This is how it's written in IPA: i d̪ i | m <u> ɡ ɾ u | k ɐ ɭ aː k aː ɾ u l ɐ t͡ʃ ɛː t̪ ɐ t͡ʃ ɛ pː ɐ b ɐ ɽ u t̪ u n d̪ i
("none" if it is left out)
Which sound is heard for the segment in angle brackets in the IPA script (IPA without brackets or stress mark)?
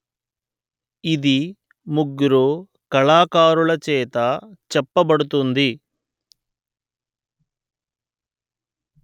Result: u